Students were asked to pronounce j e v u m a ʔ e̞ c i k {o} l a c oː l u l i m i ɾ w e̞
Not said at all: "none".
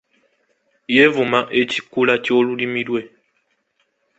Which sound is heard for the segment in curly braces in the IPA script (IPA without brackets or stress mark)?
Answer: u